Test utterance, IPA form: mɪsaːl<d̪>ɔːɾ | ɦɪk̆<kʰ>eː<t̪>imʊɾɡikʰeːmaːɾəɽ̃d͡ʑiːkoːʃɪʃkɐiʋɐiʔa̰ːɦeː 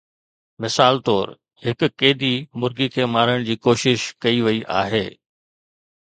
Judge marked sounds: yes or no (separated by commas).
no, no, no